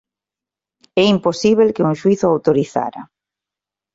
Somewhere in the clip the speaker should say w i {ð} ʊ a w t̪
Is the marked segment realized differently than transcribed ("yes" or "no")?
yes